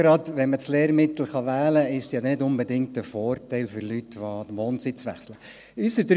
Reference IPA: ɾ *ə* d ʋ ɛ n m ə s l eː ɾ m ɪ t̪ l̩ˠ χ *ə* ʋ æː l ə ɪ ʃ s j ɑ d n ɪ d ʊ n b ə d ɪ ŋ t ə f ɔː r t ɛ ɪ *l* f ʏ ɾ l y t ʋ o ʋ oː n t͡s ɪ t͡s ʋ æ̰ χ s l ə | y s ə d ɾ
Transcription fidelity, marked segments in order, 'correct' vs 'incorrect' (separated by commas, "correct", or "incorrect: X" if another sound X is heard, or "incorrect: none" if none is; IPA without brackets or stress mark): incorrect: ɑ, incorrect: ɑ, correct